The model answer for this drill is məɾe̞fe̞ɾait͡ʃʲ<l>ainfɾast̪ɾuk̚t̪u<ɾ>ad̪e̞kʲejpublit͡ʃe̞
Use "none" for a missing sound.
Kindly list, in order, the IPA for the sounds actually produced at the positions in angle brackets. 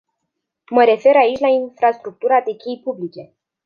l, ɾ

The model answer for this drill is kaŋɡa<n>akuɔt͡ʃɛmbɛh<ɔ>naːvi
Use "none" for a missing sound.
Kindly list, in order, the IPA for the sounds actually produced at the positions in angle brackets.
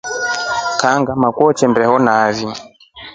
m, ɔ

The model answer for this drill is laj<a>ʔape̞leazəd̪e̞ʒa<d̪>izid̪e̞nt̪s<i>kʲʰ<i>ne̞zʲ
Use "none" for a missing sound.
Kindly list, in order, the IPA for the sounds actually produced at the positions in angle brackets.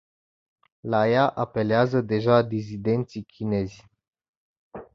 a, d̪, i, i

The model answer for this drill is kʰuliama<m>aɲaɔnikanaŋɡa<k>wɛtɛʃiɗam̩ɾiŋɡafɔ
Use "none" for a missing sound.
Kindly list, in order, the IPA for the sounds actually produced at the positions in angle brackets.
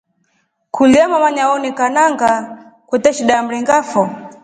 m, k

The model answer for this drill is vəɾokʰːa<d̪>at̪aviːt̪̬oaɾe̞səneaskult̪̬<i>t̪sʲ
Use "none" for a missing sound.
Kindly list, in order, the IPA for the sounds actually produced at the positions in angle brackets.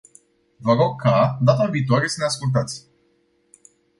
d̪, a

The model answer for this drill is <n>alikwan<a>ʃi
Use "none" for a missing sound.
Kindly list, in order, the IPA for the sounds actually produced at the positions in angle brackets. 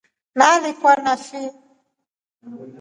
n, a

